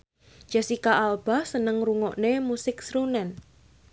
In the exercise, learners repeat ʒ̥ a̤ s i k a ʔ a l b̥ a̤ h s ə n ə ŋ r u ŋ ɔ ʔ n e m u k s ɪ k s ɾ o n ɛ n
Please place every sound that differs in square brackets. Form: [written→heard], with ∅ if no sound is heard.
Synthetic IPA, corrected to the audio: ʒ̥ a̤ s i k a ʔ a l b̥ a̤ h s ə n ə ŋ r u ŋ ɔ ʔ n e m u [k→∅] s ɪ k s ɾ [o→u] n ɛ n